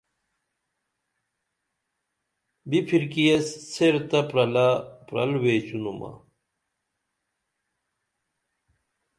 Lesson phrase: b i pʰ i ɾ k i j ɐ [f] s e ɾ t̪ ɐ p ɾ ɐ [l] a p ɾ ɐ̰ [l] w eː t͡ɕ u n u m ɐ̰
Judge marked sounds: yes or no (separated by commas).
no, yes, yes